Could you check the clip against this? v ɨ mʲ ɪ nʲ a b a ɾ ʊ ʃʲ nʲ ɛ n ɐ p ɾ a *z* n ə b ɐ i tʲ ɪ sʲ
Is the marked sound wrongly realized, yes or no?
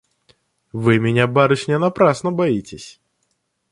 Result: yes